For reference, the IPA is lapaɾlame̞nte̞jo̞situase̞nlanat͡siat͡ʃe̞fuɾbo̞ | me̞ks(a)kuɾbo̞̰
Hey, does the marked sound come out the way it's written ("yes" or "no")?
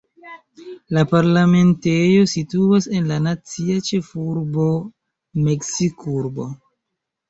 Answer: no